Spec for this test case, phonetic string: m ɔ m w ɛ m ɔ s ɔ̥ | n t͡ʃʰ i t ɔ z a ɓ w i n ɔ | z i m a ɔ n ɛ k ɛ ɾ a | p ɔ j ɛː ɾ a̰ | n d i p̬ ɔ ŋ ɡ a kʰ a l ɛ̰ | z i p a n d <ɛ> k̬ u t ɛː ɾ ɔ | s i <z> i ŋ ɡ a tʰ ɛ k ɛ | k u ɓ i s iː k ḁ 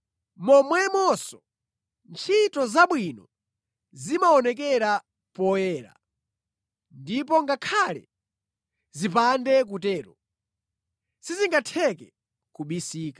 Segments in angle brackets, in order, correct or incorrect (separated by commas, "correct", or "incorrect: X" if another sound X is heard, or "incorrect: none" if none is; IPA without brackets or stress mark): correct, correct